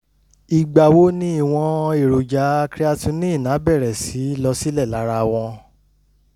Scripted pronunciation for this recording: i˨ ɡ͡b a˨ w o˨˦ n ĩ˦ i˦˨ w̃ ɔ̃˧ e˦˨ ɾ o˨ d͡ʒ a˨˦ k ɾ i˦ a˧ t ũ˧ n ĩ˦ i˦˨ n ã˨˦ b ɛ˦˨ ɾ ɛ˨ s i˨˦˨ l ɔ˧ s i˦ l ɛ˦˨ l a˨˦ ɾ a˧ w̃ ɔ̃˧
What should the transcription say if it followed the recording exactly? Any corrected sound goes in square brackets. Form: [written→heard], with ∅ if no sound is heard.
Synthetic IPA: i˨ ɡ͡b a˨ w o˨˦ n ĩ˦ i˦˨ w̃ ɔ̃˧ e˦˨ ɾ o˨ d͡ʒ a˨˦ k ɾ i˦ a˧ t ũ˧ n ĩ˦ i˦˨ n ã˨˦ b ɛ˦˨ ɾ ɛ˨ s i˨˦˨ l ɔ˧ s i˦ l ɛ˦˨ l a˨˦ ɾ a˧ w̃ ɔ̃˧